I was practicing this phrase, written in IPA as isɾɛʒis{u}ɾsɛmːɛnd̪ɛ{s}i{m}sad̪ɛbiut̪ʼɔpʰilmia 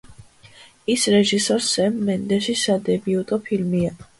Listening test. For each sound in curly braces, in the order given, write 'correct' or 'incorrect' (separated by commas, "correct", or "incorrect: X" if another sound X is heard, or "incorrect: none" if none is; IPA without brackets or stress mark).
incorrect: ɔ, incorrect: ʃ, incorrect: none